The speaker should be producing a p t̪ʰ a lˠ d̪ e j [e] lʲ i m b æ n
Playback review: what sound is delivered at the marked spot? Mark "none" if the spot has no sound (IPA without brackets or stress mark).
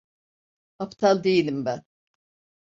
i